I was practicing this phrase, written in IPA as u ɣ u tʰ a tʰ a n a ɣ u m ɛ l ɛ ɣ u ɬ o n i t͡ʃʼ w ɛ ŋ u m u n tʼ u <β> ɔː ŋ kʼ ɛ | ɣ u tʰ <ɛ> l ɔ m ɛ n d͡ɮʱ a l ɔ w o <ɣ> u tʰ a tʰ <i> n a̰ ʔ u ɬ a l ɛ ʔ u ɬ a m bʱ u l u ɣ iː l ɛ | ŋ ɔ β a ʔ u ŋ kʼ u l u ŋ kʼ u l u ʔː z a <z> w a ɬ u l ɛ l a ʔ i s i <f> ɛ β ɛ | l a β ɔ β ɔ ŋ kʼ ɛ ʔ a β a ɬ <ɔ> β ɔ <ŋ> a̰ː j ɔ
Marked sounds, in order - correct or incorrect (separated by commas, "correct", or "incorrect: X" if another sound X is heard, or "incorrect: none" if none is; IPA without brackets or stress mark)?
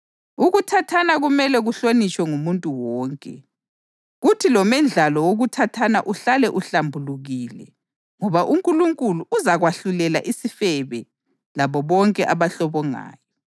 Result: incorrect: w, incorrect: i, correct, incorrect: a, incorrect: ɣ, correct, correct, correct